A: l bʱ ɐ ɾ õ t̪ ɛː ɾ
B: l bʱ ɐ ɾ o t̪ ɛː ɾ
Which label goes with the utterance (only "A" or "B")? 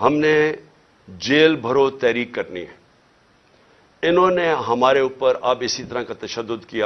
B